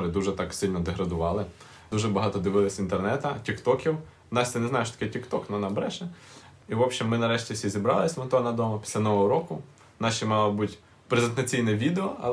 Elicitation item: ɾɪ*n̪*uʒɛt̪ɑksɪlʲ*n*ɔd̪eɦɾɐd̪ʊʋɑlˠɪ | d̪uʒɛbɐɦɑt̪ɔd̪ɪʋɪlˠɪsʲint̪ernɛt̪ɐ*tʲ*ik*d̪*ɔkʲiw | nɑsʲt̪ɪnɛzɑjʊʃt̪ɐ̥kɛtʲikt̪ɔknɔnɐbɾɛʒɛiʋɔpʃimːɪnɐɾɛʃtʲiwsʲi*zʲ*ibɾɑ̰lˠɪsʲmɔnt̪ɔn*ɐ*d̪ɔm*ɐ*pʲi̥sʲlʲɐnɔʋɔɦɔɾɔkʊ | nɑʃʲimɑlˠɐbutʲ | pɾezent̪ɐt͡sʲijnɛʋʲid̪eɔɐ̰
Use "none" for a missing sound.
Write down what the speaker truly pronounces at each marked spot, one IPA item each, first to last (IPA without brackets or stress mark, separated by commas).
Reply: d̪, n, tʲ, t̪, zʲ, ɐ, ɐ